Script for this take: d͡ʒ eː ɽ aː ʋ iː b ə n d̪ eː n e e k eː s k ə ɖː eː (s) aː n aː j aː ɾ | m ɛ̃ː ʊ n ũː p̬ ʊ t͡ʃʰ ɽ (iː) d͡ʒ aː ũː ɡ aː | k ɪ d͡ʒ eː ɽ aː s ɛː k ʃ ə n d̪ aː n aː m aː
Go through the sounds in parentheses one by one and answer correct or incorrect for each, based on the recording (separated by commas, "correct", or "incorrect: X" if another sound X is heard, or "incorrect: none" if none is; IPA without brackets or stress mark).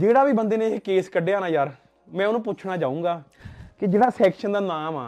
incorrect: none, incorrect: aː